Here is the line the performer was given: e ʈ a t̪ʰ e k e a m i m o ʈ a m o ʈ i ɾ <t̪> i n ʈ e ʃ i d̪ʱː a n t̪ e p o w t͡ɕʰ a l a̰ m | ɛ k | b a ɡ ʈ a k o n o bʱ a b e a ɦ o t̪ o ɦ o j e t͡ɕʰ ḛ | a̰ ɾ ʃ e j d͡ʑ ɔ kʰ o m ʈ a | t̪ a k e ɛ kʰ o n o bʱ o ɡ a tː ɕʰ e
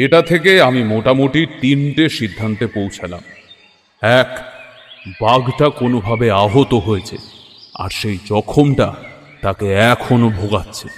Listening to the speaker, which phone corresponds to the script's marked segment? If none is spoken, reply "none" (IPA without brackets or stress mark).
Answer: t̪